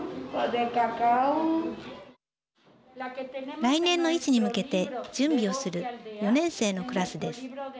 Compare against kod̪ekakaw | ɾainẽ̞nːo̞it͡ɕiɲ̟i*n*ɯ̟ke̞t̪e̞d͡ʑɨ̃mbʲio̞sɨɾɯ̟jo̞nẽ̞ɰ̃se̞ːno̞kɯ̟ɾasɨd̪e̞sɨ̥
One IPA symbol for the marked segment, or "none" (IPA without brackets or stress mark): m